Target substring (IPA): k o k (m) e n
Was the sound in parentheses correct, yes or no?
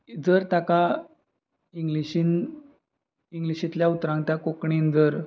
no